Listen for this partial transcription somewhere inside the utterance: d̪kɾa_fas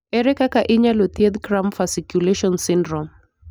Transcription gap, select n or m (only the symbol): m